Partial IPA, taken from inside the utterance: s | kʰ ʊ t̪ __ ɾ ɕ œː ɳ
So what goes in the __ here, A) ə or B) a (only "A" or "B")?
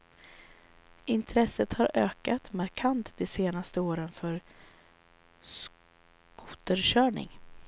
A